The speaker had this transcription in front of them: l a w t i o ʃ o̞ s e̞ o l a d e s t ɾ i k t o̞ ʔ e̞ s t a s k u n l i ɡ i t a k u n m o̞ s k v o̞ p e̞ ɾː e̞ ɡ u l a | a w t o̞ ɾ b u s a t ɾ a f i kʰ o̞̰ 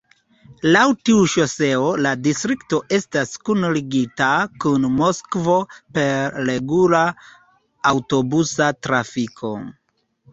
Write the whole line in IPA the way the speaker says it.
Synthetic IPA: l a w t i u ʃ o̞ s e̞ o l a d i s t ɾ i k t o̞ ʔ e̞ s t a s k u n l i ɡ i t a k u n m o̞ s k v o̞ p e̞ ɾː e̞ ɡ u l a | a w t o̞ b u s a t ɾ a f i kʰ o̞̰